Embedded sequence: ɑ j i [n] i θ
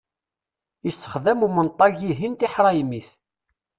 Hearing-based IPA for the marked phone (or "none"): m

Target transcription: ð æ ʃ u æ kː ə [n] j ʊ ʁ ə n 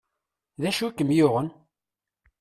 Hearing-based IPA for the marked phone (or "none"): m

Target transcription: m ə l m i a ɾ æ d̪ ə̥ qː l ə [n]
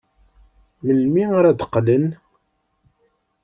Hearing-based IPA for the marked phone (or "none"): n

